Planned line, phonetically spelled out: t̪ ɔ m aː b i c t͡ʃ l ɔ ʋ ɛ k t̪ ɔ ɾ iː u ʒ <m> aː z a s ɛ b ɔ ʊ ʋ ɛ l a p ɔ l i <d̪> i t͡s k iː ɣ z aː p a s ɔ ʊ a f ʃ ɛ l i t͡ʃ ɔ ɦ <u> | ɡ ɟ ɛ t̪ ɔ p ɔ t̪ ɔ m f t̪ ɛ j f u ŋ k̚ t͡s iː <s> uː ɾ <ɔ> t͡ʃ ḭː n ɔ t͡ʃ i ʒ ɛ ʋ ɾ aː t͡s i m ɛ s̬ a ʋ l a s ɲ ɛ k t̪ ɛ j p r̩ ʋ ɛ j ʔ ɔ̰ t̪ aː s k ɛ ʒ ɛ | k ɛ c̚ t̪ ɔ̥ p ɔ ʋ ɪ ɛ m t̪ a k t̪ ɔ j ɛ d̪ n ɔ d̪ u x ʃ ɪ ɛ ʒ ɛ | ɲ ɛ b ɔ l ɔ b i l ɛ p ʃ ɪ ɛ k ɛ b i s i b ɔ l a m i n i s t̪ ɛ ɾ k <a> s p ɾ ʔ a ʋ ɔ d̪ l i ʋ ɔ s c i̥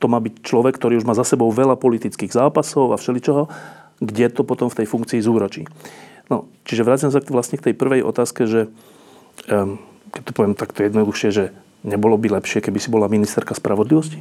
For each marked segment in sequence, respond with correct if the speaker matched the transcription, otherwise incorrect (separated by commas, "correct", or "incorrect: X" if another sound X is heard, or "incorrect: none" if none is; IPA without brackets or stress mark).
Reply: correct, incorrect: t̪, incorrect: ɔ, incorrect: z, correct, correct